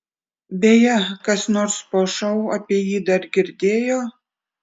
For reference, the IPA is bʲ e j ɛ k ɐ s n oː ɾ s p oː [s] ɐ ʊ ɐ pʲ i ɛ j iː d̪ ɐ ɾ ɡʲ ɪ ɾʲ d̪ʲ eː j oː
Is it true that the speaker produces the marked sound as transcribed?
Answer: no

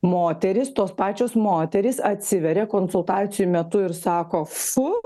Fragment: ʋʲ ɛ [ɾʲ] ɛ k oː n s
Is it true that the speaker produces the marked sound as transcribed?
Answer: yes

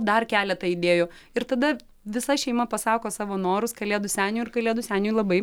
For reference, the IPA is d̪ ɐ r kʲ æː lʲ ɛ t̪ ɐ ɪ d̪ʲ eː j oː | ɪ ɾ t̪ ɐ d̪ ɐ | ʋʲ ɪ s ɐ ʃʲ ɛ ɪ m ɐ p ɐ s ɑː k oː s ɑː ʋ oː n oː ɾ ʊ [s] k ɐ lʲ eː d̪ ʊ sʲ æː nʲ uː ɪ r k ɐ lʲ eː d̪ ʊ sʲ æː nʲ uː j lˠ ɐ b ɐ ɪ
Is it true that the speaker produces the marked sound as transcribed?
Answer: yes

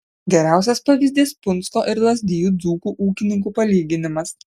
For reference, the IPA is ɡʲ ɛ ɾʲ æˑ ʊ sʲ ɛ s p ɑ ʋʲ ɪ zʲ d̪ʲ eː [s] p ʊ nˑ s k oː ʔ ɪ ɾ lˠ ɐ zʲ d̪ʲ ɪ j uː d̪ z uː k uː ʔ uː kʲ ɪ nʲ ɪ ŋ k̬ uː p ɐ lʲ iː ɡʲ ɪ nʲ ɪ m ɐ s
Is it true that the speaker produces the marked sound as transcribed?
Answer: yes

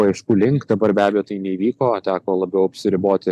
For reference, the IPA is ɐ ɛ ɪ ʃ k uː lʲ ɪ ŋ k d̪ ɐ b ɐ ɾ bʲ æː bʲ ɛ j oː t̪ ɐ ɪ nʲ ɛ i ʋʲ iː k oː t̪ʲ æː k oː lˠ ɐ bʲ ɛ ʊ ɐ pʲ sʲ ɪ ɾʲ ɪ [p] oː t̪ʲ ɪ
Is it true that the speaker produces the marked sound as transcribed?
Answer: no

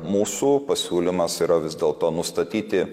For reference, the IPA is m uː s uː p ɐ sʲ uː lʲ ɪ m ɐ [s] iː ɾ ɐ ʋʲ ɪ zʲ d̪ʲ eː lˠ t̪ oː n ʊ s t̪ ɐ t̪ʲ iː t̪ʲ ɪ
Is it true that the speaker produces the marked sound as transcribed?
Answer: yes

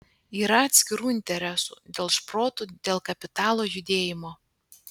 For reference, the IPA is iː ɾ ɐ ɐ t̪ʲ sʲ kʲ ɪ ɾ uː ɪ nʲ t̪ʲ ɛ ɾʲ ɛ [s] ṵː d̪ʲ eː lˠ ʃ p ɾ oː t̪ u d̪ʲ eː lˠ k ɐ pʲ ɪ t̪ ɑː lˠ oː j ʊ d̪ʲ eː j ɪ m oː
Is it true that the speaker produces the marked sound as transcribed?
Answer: yes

